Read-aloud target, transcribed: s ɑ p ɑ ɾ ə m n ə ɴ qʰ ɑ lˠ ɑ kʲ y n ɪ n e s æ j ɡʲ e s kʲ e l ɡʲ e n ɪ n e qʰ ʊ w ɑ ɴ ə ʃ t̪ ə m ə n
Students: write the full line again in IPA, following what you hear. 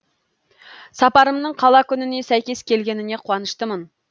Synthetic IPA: s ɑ p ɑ ɾ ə m n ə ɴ qʰ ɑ lˠ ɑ kʲ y n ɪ n e s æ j kʲ e s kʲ e l ɡʲ e n ɪ n e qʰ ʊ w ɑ n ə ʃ t̪ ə m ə n